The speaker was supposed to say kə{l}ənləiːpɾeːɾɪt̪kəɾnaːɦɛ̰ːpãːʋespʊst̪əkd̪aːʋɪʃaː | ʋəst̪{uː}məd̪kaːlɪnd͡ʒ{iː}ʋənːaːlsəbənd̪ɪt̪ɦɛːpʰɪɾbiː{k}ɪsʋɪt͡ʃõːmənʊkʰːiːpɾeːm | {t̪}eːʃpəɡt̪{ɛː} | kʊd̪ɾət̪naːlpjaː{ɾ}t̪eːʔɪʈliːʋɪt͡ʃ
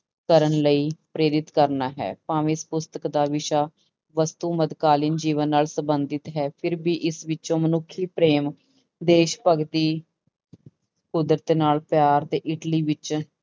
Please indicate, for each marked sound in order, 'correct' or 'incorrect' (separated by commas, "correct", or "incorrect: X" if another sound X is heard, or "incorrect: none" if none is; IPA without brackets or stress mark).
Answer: incorrect: ɾ, correct, correct, incorrect: ʔ, incorrect: d̪, incorrect: iː, correct